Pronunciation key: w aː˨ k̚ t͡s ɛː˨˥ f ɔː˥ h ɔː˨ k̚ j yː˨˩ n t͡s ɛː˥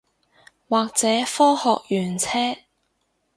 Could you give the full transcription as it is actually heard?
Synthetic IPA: w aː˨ k̚ t͡s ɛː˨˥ f ɔː˥ h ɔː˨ k̚ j yː˨˩ n t͡sʰ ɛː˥